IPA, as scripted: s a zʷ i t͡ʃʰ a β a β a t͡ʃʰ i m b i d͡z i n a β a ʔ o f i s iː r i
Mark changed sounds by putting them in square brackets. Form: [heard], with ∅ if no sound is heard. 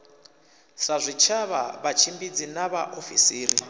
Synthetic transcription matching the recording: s a zʷ i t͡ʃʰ a β a β a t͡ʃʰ i m b i d͡z i n a β a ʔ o f i s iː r i